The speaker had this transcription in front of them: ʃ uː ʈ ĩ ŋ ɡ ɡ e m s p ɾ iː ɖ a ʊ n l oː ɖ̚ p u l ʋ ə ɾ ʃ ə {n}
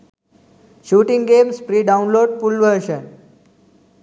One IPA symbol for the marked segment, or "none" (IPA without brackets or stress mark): n